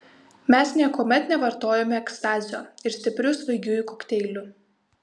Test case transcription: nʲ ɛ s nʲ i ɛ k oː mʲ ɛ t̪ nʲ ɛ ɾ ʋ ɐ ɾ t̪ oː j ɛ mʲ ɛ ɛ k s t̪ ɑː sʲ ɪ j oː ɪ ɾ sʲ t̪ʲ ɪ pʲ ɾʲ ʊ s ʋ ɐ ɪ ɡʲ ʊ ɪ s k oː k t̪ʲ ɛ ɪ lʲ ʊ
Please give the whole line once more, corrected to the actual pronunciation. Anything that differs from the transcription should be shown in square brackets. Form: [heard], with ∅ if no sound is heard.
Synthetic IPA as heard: [mʲ] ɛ s nʲ i ɛ k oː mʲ ɛ t̪ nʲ ɛ [∅] ʋ ɐ ɾ t̪ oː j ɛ mʲ ɛ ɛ k s t̪ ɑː [zʲ] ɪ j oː ɪ ɾ sʲ t̪ʲ ɪ pʲ ɾʲ ʊ s ʋ ɐ ɪ ɡʲ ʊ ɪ [∅] k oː k t̪ʲ ɛ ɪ lʲ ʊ